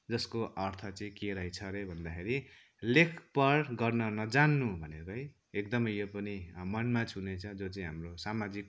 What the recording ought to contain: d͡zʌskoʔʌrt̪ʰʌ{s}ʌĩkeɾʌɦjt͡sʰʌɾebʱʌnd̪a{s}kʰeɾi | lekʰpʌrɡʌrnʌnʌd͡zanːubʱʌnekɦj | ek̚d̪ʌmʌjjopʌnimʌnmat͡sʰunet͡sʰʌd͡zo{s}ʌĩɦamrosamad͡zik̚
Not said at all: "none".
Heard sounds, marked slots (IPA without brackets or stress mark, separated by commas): t͡s, none, t͡s